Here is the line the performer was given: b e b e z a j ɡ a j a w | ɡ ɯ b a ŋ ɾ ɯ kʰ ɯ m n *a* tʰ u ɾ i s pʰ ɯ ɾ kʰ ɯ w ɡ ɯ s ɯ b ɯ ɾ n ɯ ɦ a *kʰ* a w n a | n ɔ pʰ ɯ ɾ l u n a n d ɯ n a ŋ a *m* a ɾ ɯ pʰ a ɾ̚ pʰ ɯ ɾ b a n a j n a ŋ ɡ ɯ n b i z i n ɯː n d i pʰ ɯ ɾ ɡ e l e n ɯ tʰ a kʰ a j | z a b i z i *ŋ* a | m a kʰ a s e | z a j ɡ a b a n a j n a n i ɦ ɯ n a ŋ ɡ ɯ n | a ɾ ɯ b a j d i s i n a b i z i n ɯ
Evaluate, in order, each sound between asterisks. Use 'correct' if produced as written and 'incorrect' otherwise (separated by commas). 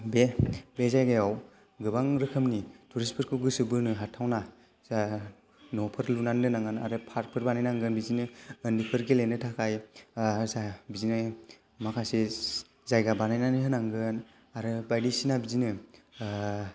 incorrect, incorrect, incorrect, incorrect